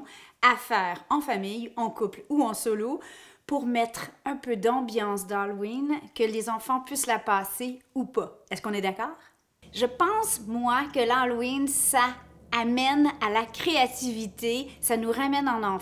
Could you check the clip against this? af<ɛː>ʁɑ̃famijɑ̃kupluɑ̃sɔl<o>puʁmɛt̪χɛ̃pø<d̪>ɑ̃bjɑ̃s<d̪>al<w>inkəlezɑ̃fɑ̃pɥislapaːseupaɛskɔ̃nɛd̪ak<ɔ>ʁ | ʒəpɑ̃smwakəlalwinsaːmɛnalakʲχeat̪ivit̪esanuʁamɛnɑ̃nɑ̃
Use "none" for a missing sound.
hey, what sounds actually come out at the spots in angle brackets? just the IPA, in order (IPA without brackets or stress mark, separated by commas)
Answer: ɛː, o, d̪, d̪, w, ɔː